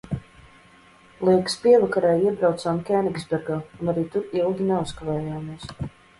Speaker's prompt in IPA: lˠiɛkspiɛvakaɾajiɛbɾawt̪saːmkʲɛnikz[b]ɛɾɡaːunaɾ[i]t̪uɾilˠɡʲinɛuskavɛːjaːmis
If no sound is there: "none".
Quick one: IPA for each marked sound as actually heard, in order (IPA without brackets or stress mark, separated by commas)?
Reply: b, iː